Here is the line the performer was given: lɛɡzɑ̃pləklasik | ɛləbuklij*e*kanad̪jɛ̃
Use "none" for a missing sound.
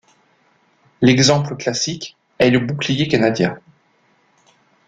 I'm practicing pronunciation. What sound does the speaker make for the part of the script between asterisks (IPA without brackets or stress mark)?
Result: e